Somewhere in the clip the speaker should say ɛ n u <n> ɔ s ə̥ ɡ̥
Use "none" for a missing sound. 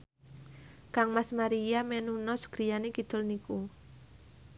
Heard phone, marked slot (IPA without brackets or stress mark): n